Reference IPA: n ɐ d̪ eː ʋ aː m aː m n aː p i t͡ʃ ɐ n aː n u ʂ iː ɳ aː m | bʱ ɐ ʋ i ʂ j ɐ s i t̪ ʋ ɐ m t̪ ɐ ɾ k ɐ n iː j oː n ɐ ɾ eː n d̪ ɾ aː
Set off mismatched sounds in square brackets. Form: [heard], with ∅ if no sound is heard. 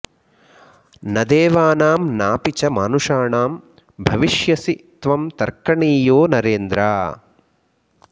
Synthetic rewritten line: n ɐ d̪ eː ʋ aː [n] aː m n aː p i t͡ʃ ɐ [m] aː n u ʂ [aː] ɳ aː m | bʱ ɐ ʋ i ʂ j ɐ s i t̪ ʋ ɐ m t̪ ɐ ɾ k ɐ [ɳ] iː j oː n ɐ ɾ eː n d̪ ɾ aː